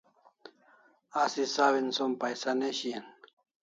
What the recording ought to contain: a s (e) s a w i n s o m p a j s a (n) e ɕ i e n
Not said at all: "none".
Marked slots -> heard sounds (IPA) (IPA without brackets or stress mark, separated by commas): i, n